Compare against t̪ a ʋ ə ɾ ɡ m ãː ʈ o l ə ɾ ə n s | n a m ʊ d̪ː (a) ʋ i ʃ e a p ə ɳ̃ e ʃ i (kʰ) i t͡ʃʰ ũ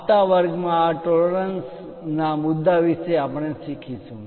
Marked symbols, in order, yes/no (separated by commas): yes, yes